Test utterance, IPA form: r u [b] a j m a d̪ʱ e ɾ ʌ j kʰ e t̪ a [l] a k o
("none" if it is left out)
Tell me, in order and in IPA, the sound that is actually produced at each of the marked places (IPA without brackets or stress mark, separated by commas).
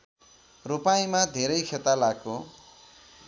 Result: p, l